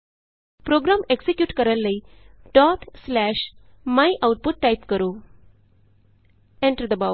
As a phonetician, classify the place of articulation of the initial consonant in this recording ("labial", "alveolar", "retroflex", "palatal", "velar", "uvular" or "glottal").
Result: labial